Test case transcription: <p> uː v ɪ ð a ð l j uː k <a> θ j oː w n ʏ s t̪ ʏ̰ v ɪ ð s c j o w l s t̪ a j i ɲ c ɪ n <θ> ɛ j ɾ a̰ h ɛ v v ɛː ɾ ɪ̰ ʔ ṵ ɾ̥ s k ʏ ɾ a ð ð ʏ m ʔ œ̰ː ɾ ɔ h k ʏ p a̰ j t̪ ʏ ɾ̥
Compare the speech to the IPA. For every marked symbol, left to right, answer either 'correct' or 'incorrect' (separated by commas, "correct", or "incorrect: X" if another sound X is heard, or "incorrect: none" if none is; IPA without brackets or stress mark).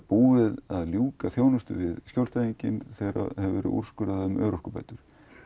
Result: correct, correct, correct